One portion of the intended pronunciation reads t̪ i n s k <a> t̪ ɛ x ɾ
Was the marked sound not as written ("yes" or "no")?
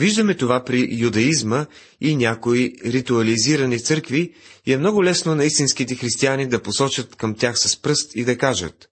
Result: yes